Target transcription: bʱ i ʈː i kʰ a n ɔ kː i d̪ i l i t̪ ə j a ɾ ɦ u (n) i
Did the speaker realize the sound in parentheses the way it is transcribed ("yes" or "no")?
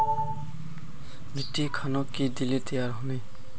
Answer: yes